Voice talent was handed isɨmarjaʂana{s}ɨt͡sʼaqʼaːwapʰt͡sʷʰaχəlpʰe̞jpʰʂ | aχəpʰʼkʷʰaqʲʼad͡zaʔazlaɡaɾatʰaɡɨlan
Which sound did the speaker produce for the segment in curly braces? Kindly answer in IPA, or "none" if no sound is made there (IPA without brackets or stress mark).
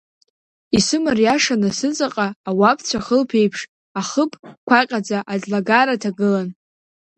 s